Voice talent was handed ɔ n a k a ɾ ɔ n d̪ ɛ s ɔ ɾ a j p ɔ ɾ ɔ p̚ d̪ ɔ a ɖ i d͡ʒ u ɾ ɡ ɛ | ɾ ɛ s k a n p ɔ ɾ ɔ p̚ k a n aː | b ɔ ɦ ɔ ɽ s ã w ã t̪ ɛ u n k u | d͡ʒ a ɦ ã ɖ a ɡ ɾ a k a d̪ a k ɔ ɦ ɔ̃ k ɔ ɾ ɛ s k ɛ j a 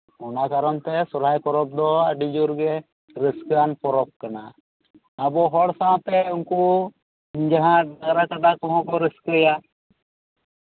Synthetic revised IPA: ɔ n a k a ɾ ɔ n t̪ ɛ s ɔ ɾ a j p ɔ ɾ ɔ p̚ d̪ ɔ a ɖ i d͡ʒ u ɾ ɡ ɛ | ɾ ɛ s k a n p ɔ ɾ ɔ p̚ k a n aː | b ɔ ɦ ɔ ɽ s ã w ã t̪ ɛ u n k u | d͡ʒ a ɦ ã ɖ a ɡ ɾ a k a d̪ a k ɔ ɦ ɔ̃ k ɔ ɾ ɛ s k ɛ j a